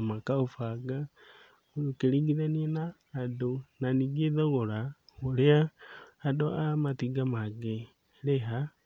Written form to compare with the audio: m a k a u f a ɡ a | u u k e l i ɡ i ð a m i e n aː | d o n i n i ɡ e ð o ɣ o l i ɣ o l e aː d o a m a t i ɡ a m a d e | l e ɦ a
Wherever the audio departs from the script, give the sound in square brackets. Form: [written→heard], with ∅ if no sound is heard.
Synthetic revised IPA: m a k a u f a ɡ a | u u k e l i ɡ i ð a [m→n] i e n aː | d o n [i→a] n i ɡ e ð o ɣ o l [i→a] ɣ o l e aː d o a m a t i ɡ a m a [d→ɡ] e | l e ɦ a